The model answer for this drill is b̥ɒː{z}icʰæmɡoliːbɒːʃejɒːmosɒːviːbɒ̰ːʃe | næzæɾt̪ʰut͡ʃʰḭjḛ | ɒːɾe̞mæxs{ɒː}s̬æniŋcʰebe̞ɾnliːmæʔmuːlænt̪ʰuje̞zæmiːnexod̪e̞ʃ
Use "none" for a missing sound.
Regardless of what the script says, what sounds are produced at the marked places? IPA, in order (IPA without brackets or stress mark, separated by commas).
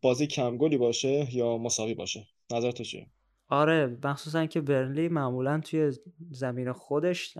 z, uː